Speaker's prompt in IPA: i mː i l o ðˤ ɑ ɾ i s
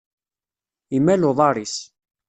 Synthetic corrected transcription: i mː æ l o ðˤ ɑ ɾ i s